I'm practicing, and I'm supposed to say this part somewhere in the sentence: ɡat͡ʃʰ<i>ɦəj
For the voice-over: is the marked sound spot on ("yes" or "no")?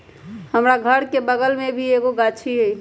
yes